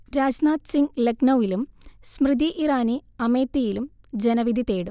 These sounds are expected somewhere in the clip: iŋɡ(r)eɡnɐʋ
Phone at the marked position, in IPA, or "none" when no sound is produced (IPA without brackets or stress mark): l